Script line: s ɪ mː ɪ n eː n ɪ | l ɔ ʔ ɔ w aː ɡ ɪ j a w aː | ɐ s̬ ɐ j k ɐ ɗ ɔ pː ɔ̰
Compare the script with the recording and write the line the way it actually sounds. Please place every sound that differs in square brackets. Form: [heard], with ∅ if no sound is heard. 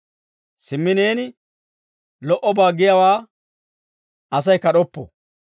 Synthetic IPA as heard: s ɪ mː ɪ n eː n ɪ | l ɔ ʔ ɔ [b] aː ɡ ɪ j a w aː | ɐ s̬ ɐ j k ɐ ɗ ɔ pː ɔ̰